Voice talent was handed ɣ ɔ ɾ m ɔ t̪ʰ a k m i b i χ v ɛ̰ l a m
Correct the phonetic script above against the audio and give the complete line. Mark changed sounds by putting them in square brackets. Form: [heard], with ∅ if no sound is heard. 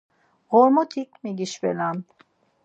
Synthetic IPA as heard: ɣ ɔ ɾ m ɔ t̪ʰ [i] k m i [ɡ] i [ʃ] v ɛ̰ l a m